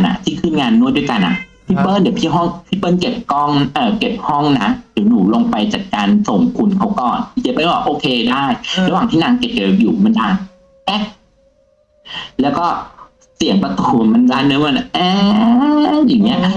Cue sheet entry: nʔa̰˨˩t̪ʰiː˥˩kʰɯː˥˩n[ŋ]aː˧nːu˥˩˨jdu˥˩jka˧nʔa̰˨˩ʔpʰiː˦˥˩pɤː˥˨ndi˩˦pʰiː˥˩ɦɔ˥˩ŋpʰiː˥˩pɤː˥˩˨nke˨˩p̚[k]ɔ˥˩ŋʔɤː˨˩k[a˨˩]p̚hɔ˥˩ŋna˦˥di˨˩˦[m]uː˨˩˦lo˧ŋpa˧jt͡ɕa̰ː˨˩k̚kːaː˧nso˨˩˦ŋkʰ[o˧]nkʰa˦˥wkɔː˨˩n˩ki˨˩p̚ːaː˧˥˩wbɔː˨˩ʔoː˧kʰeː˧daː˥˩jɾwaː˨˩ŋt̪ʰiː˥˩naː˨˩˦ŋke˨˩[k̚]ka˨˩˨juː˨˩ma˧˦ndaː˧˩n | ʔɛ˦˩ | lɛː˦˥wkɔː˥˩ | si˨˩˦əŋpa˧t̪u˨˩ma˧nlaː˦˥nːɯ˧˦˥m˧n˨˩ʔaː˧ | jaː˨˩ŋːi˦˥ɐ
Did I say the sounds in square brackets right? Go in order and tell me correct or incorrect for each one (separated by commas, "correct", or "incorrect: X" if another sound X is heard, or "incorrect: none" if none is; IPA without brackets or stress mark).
correct, correct, incorrect: e˨˩, incorrect: n, incorrect: u˧, incorrect: p̚